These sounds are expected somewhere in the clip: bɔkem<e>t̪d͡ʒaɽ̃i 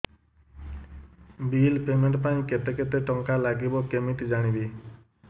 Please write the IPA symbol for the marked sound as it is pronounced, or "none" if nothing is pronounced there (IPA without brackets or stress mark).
i